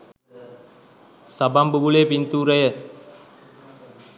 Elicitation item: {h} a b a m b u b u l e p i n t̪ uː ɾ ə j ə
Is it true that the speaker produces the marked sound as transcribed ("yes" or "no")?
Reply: no